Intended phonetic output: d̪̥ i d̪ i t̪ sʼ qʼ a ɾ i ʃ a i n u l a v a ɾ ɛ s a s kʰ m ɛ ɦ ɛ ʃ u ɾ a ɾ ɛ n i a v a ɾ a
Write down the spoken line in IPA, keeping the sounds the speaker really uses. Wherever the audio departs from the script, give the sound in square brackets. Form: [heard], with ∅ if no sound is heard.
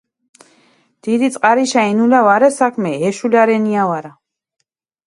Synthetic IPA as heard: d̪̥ i d̪ i t̪ sʼ qʼ a ɾ i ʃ a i n u l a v a ɾ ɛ s a [∅] kʰ m ɛ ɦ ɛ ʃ u [l] a ɾ ɛ n i a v a ɾ a